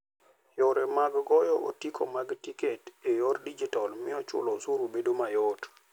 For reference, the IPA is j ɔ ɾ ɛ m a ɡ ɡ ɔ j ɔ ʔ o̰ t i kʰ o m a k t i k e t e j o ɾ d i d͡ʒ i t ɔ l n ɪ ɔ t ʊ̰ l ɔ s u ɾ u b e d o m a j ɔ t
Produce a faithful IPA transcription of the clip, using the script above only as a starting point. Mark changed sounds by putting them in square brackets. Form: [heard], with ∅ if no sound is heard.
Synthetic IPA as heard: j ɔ ɾ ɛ m a ɡ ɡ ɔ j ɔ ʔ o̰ t i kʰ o m a [ɡ] t i k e t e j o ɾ d i d͡ʒ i t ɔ l [m] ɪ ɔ [t͡ʃ] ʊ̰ l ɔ s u ɾ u b e d o m a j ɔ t